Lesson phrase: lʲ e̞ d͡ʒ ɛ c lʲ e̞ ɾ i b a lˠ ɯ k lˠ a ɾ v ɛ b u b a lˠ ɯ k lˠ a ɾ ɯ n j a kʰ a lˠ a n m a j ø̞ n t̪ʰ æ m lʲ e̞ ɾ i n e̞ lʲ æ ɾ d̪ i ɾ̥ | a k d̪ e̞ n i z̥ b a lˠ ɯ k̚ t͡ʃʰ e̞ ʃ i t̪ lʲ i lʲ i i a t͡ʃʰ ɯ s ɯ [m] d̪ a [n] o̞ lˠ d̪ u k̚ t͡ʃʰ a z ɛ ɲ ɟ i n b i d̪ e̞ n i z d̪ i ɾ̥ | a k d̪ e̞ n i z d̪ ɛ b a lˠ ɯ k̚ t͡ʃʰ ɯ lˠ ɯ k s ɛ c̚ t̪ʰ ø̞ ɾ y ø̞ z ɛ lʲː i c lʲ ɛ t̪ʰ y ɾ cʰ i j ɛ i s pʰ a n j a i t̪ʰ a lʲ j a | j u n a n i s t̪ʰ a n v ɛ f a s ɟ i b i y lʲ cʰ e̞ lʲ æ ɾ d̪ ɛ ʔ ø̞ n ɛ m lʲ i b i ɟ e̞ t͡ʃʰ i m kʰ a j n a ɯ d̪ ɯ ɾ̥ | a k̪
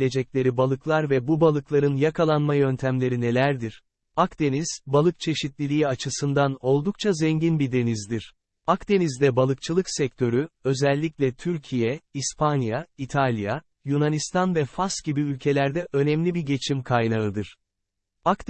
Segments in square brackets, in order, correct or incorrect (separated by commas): incorrect, correct